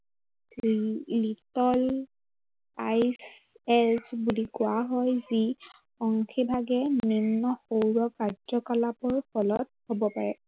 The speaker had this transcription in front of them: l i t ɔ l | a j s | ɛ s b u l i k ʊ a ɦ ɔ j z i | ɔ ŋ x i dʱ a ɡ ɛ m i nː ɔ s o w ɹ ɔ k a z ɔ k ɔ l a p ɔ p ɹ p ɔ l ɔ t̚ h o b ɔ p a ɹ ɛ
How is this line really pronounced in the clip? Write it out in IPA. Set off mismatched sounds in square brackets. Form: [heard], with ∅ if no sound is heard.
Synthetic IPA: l i t ɔ l | a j s | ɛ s b u l i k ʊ a ɦ ɔ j z i | ɔ ŋ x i [bʱ] a ɡ ɛ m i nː ɔ [x] o w ɹ ɔ k a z ɔ k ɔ l a p ɔ [∅] ɹ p ɔ l ɔ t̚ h o b ɔ p a ɹ ɛ